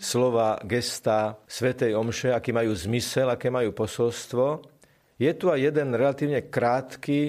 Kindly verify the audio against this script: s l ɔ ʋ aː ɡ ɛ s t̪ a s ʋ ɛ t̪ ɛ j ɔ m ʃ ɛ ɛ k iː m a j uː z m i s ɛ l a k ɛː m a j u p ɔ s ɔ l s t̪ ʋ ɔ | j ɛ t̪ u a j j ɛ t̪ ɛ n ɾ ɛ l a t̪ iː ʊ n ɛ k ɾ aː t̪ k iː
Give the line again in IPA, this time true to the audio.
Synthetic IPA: s l ɔ ʋ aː ɡ ɛ s t̪ a s ʋ ɛ t̪ ɛ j ɔ m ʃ ɛ a k iː m a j uː z m i s ɛ l a k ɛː m a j uː p ɔ s ɔ l s t̪ ʋ ɔ | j ɛ t̪ u a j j ɛ d̪ ɛ n ɾ ɛ l a t̪ iː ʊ ɲ ɛ k ɾ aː t̪ k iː